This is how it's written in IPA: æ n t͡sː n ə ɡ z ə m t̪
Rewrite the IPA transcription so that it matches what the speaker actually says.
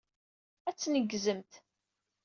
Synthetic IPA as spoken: æ t͡sː n ə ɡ z ə m t̪